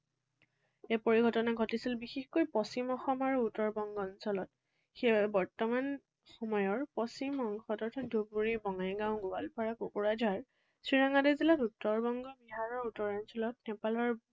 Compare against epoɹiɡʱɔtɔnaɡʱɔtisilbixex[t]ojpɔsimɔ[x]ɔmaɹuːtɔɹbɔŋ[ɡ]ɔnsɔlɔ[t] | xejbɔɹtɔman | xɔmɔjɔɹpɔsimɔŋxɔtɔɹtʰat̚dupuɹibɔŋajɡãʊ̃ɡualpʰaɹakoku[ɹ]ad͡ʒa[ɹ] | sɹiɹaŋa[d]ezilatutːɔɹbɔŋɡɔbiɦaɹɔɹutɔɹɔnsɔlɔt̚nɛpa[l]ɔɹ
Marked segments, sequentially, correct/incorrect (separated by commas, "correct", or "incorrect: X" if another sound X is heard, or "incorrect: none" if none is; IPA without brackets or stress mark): incorrect: k, correct, correct, correct, correct, correct, correct, correct